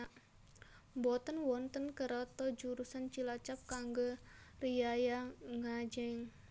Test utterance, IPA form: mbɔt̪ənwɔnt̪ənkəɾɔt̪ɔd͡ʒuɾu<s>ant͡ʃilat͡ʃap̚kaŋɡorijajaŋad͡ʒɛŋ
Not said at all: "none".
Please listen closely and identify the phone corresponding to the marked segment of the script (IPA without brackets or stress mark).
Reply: s